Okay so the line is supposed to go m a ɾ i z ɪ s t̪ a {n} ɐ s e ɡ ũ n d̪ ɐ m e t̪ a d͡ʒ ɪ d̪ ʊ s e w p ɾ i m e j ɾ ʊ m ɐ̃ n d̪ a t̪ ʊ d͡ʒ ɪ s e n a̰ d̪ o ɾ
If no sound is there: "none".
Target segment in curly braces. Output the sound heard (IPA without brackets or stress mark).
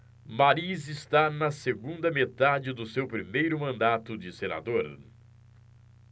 n